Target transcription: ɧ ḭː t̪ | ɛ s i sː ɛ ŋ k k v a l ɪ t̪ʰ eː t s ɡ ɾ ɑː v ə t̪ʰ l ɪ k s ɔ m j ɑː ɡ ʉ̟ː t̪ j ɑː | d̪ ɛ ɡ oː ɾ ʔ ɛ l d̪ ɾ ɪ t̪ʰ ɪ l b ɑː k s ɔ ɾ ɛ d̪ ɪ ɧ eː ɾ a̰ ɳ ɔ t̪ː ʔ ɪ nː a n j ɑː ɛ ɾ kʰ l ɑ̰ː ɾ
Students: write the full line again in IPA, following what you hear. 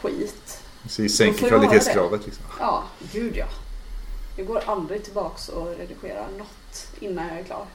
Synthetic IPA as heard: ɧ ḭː t̪ | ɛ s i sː ɛ ŋ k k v a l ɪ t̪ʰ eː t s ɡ ɾ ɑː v ə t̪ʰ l ɪ k s ɔ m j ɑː ɡ ʉ̟ː d̪ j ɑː | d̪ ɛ ɡ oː ɾ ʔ a l d̪ ɾ ɪ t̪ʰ ɪ l b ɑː k s ɔ ɾ ɛ d̪ ɪ ɧ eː ɾ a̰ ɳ ɔ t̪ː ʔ ɪ nː a n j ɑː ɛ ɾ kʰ l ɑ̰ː ɾ